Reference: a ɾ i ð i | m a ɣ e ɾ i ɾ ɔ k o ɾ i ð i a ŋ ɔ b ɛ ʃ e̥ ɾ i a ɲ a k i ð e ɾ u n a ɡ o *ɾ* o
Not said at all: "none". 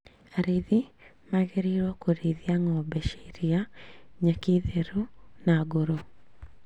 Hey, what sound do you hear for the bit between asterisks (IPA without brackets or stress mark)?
ɾ